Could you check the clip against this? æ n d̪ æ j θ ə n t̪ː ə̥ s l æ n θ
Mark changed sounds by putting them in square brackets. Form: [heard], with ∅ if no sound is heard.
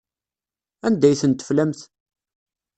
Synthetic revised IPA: æ n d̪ æ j θ ə n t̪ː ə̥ [f] l æ [m] θ